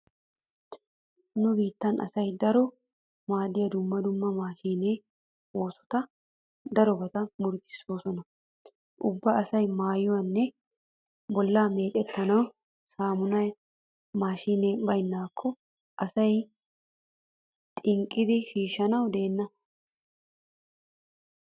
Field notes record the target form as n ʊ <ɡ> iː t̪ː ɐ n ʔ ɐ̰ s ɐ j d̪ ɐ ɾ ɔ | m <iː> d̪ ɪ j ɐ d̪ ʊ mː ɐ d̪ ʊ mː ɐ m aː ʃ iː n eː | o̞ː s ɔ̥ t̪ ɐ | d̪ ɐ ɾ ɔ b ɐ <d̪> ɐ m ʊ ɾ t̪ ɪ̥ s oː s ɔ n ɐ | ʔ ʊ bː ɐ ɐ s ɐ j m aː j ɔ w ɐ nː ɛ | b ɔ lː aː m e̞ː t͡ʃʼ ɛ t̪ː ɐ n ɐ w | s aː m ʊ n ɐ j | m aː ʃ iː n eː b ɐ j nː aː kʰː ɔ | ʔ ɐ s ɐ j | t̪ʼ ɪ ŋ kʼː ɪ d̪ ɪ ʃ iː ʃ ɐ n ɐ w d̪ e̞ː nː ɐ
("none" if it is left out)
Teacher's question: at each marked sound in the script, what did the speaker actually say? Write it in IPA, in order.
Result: b, aː, t̪

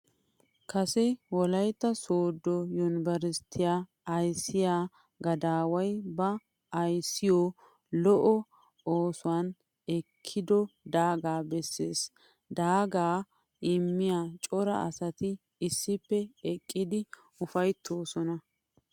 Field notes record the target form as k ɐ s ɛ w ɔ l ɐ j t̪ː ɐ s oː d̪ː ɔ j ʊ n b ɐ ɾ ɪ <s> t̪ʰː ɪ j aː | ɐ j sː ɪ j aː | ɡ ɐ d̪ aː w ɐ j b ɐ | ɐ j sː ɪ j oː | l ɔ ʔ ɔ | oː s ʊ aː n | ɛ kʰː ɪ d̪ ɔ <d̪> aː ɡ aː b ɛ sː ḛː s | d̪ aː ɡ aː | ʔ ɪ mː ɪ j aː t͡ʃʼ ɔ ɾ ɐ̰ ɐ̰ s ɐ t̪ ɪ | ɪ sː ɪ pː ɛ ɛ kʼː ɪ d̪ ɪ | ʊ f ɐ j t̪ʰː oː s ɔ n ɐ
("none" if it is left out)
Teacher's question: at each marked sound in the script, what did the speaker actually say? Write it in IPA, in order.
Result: s, d̪

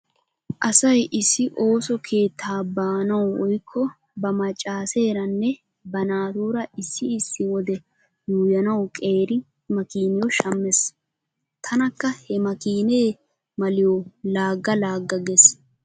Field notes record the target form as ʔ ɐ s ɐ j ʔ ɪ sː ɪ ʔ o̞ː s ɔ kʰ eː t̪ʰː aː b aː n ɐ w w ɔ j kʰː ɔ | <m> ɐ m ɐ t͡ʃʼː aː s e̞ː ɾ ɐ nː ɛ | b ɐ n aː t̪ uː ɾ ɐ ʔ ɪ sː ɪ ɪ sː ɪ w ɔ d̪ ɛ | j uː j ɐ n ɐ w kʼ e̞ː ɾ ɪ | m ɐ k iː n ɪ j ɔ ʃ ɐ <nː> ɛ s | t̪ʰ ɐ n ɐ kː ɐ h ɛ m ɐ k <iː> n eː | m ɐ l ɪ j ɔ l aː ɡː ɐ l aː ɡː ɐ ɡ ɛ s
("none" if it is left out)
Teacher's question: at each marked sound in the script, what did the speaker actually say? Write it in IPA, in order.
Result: b, mː, iː

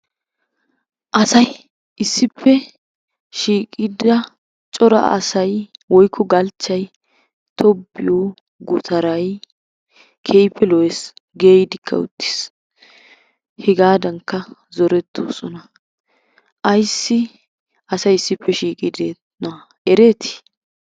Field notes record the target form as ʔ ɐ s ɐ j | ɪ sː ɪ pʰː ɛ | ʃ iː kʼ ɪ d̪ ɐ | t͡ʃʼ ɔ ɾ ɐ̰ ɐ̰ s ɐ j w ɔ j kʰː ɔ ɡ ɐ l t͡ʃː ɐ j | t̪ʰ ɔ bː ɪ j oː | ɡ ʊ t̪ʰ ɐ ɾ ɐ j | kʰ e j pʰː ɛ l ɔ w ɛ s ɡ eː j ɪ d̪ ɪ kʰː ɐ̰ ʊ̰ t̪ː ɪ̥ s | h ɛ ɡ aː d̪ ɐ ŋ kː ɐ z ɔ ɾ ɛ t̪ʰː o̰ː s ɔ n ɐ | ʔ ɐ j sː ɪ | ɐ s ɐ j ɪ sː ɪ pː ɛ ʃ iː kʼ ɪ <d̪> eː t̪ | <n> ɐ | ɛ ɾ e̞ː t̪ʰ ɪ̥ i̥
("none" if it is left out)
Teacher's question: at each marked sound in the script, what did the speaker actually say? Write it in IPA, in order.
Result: d̪, n

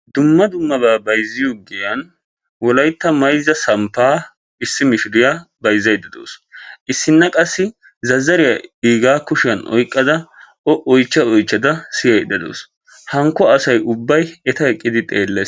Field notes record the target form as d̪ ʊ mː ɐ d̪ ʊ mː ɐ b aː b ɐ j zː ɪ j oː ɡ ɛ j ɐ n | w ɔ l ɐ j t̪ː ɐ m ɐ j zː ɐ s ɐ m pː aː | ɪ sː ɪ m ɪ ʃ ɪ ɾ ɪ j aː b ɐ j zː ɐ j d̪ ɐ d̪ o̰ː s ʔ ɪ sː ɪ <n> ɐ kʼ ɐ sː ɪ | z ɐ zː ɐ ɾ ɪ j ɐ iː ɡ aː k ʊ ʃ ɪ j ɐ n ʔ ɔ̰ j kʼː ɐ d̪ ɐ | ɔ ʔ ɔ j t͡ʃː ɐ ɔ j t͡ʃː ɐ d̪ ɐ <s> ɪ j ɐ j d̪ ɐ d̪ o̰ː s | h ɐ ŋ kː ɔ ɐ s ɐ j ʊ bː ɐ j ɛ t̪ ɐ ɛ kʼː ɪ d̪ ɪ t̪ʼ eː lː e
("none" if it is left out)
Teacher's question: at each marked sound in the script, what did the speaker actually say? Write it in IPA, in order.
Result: nː, s

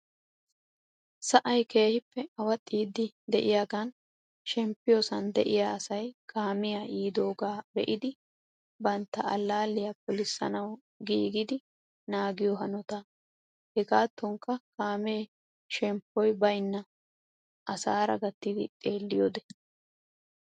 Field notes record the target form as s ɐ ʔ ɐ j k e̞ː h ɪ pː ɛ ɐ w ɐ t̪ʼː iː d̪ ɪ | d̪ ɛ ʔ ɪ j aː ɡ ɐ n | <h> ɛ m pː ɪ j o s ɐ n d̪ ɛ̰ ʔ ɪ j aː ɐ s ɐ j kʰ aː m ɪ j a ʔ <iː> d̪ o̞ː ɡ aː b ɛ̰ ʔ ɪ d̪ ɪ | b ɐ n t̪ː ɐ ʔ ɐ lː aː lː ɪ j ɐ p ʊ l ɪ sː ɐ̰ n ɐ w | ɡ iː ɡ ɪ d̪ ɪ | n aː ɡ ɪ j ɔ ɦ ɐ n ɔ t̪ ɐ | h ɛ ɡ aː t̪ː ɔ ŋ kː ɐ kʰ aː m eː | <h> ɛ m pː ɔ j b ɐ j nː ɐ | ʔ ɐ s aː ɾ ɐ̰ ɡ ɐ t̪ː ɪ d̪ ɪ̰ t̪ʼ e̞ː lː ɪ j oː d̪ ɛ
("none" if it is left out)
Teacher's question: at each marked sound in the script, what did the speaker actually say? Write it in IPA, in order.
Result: ʃ, iː, ʃ

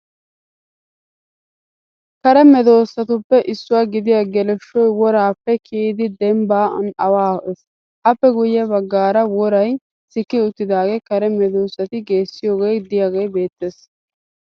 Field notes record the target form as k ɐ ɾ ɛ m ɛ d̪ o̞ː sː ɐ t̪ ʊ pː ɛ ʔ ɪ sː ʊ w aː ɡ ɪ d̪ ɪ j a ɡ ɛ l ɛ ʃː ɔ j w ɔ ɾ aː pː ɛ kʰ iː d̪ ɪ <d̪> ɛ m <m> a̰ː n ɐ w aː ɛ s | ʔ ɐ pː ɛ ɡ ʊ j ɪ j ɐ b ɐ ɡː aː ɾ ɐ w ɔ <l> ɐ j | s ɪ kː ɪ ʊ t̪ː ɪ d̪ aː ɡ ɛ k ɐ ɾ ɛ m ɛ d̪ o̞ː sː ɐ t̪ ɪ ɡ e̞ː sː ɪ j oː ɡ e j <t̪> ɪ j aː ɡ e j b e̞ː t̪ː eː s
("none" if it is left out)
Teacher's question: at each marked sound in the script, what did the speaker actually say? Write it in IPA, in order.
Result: d̪, b, ɾ, d̪

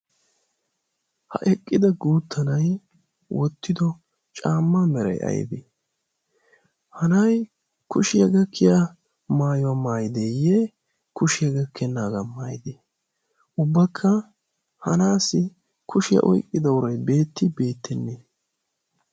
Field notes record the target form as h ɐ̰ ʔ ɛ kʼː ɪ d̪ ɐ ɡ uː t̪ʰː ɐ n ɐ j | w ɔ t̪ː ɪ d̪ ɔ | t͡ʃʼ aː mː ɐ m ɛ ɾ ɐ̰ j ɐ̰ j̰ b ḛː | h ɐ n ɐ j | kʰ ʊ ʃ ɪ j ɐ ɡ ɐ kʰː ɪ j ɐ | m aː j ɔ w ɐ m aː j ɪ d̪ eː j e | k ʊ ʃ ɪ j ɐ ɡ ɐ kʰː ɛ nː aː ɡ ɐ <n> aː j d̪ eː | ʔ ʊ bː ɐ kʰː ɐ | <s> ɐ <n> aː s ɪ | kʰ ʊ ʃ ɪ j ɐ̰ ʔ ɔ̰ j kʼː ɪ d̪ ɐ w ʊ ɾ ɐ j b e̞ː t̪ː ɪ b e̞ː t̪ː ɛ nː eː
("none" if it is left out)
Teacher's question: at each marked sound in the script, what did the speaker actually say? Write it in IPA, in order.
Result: m, h, n

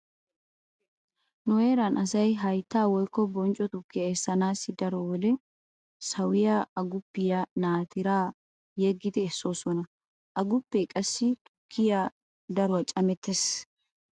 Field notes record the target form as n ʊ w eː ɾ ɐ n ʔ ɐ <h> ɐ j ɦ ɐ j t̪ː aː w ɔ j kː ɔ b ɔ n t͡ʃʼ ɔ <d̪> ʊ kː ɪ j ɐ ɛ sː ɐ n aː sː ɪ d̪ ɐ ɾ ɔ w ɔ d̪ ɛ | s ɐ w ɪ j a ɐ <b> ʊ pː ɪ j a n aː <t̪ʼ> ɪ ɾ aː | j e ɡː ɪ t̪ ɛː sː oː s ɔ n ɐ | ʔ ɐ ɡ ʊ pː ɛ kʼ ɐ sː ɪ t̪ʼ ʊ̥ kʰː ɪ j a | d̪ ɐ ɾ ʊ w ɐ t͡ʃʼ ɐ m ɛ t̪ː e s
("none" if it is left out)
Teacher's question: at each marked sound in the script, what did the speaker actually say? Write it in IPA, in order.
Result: s, t̪, ɡ, t̪

